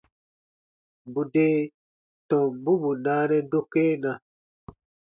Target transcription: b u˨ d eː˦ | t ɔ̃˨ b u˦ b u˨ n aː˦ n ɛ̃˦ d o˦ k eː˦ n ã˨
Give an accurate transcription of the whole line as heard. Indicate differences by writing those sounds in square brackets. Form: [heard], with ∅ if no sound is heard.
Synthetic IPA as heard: b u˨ d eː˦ | t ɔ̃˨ b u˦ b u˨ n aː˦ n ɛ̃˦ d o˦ k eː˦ n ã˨